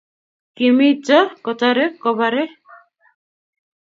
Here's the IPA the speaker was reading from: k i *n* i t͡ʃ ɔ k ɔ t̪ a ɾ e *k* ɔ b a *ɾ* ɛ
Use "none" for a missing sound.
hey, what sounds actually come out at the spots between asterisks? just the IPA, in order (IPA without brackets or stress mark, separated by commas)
m, k, ɾ